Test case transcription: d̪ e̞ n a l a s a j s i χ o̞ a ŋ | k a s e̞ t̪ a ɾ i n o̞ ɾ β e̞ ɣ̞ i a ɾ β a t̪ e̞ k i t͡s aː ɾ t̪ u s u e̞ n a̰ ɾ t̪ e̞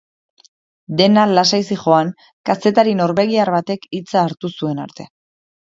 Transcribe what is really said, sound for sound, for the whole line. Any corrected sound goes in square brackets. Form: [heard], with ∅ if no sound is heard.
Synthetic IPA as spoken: d̪ e̞ n a l a s a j s i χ o̞ a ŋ | k a s e̞ t̪ a ɾ i n o̞ ɾ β e̞ ɣ̞ i a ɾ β a t̪ e̞ k i t͡s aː ɾ t̪ u s u e̞ n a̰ ɾ t̪ e̞